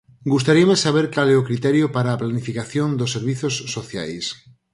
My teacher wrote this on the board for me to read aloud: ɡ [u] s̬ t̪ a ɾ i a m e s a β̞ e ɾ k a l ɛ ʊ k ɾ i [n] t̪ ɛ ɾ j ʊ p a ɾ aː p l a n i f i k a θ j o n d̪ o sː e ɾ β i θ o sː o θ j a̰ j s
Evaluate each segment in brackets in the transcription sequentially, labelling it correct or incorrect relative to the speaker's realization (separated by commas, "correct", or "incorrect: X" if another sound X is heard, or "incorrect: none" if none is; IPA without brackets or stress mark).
correct, incorrect: none